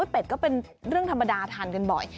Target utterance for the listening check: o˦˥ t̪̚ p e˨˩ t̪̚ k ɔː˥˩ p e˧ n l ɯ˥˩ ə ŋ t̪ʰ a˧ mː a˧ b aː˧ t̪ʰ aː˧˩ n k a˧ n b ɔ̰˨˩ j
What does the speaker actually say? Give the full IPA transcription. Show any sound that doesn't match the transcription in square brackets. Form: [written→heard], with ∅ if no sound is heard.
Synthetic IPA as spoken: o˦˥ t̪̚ p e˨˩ t̪̚ k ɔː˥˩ p e˧ n [l→ɾ] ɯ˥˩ ə ŋ t̪ʰ a˧ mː a˧ [b→d] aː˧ t̪ʰ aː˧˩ n k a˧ n b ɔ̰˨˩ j